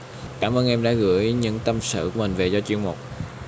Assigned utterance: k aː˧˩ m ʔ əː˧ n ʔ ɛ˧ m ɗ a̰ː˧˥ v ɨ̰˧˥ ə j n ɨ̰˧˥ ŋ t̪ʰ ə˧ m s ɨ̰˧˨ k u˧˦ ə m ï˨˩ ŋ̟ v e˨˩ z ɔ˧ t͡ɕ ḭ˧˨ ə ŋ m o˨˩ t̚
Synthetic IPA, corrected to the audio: k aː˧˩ m ʔ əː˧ n ʔ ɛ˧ m ɗ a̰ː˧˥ ɣ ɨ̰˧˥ ə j ɲ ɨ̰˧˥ ŋ t̪ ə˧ m s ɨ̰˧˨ k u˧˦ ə m ï˨˩ ŋ̟ v e˨˩ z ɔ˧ t͡ɕ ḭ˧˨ ə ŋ m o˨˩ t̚